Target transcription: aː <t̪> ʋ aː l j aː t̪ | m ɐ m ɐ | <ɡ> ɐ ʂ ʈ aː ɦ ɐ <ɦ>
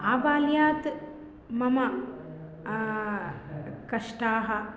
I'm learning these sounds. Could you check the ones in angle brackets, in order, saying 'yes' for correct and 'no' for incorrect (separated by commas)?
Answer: no, no, no